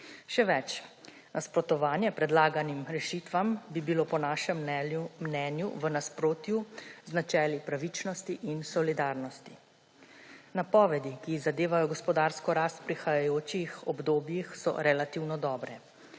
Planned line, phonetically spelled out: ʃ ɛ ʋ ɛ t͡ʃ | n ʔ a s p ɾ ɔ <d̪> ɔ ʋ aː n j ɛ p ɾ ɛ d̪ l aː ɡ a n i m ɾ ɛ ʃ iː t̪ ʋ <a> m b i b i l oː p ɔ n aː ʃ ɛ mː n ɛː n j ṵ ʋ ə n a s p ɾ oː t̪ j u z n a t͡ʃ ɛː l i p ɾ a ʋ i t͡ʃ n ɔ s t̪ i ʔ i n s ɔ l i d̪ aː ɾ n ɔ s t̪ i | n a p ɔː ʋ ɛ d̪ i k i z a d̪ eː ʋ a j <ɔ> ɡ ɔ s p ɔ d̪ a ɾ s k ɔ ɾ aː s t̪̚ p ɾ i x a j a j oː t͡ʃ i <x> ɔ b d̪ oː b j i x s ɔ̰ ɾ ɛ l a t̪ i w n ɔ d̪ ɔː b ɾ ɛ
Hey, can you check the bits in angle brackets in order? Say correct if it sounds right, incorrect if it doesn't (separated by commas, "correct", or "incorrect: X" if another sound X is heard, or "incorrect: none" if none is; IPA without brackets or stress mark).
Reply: incorrect: t̪, correct, correct, correct